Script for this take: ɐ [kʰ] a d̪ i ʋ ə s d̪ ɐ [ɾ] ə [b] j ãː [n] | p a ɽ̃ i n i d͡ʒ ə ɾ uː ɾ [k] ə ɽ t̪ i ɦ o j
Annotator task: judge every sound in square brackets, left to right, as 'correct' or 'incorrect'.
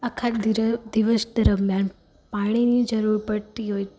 correct, correct, incorrect: m, correct, incorrect: p

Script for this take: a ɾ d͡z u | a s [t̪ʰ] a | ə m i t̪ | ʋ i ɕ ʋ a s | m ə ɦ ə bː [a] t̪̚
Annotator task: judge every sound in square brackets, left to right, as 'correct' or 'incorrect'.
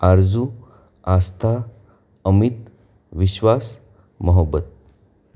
correct, incorrect: ə

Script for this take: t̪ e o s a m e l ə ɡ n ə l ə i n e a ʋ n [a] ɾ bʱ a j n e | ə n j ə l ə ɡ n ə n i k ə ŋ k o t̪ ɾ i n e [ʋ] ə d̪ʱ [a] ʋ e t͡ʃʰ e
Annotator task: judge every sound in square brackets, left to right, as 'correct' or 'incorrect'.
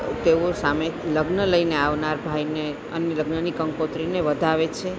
correct, correct, correct

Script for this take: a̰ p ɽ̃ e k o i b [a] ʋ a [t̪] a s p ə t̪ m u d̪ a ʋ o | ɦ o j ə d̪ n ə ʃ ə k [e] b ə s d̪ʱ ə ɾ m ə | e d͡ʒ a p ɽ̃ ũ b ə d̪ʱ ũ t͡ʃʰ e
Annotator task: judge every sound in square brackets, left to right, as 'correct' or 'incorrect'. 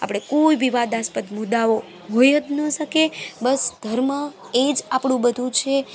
incorrect: i, incorrect: d̪, correct

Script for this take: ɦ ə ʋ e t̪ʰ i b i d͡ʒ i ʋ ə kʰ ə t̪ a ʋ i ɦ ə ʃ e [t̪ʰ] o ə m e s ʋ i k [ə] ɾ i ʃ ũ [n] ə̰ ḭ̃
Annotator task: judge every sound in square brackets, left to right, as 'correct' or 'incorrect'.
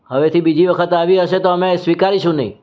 incorrect: t̪, incorrect: a, correct

